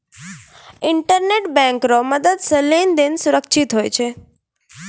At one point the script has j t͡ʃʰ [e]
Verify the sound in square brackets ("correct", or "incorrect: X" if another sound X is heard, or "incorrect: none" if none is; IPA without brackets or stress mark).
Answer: correct